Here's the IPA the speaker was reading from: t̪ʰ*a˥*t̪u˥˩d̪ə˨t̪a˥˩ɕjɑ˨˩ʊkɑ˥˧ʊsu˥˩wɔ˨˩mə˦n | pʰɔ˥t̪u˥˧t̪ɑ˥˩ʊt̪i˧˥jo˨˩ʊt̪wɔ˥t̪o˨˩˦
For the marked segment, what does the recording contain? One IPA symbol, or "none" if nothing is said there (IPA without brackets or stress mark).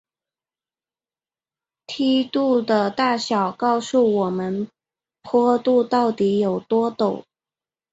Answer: i˥